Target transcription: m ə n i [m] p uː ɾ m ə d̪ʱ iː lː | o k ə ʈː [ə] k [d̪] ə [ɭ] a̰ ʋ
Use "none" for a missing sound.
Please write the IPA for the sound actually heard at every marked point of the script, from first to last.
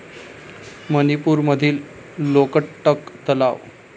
none, ə, t̪, l

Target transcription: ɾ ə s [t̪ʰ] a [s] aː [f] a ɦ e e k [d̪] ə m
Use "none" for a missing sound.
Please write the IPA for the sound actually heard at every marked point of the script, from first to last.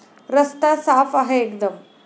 t̪, s, f, d̪

